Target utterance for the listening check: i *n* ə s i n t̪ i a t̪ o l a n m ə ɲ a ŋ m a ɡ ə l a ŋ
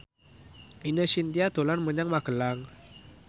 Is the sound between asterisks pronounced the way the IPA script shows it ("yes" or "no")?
yes